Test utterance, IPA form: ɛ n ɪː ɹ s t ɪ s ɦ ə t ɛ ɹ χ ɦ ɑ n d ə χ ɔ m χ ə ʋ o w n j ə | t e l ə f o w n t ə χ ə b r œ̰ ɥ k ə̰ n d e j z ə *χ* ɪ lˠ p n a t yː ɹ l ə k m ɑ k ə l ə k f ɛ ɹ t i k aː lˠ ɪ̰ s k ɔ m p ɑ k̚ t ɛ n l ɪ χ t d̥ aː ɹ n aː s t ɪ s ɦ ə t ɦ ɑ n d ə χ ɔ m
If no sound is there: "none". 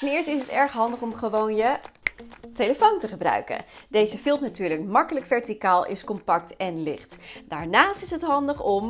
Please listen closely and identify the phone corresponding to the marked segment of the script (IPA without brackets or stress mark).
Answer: f